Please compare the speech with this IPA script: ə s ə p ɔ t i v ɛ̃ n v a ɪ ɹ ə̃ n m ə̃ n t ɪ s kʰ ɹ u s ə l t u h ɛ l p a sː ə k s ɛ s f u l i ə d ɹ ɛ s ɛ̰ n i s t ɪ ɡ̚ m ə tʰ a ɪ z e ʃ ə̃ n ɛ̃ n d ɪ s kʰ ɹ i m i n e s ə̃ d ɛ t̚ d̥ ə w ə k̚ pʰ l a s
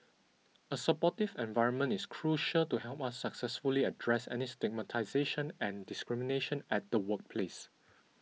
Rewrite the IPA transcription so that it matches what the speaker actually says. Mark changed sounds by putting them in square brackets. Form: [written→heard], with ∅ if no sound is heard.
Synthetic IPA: ə s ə p ɔ t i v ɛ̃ n v a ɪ ɹ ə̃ n m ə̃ n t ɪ s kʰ ɹ u [s→ʃ] ə l t u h ɛ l p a sː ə k s ɛ s f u l i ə d ɹ ɛ s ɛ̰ n i s t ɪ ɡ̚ m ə tʰ a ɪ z e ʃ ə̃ n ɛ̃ n d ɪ s [kʰ→k] ɹ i m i n e [s→ʃ] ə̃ [d→n] ɛ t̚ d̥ ə w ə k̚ pʰ l [a→e] s